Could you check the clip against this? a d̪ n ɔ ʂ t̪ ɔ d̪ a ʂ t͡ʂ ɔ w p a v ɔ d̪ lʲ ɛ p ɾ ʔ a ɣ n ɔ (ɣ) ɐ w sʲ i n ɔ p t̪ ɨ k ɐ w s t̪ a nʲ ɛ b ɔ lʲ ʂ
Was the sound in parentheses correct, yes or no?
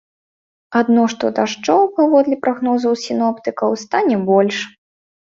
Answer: no